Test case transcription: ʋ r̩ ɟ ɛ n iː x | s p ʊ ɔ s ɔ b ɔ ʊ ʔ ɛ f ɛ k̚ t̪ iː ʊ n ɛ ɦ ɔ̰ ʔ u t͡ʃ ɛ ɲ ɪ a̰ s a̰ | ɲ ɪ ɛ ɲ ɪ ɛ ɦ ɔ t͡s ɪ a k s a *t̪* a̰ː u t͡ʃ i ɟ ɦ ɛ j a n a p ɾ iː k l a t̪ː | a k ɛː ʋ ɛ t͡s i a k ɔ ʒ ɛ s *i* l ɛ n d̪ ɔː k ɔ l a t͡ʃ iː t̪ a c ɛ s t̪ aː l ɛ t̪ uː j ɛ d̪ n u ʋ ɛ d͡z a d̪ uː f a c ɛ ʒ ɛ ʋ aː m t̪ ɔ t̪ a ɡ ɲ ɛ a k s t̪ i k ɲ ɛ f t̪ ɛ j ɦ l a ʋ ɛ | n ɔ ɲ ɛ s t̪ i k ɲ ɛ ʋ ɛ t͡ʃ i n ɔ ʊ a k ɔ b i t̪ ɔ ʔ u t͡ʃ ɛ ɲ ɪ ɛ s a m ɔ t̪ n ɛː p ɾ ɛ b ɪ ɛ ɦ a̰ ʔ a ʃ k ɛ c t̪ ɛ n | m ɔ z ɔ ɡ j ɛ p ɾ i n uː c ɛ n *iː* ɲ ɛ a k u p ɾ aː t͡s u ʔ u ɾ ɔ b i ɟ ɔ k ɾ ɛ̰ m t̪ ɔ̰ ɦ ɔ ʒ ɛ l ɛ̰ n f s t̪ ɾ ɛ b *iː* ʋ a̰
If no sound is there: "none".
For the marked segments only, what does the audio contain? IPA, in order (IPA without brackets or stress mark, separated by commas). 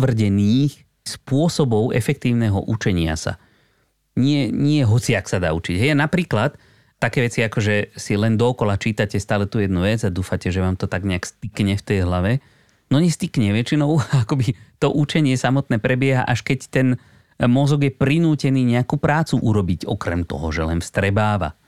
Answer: d̪, i, iː, aː